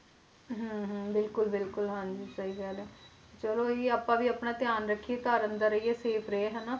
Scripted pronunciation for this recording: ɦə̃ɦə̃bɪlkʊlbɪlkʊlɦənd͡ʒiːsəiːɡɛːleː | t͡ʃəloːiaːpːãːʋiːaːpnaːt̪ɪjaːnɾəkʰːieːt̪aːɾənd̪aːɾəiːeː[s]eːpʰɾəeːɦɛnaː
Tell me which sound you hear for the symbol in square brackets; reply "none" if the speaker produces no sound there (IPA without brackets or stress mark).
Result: s